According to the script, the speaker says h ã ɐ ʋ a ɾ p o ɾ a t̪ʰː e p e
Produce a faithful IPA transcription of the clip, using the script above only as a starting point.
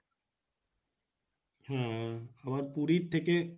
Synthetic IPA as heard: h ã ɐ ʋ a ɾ p u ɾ i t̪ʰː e k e